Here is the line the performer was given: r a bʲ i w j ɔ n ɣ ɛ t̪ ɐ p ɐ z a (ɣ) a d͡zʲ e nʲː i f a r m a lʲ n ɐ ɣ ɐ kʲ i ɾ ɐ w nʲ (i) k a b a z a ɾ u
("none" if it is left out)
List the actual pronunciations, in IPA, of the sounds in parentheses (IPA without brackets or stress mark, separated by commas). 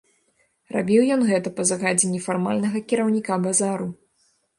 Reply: ɣ, i